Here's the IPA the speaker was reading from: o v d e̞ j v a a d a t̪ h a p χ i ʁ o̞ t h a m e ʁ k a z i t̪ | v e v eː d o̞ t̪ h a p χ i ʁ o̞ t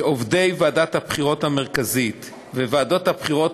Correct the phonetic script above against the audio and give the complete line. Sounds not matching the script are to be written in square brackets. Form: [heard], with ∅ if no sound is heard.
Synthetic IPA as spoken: o v d e̞ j v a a d a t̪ h a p χ i ʁ o̞ t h a m e ʁ k a z i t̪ | v e v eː d o̞ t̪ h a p χ i ʁ o̞ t